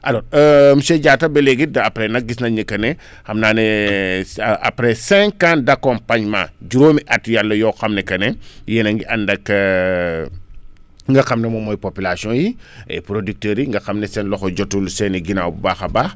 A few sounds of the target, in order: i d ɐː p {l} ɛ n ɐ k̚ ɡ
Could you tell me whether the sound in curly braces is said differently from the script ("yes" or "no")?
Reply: yes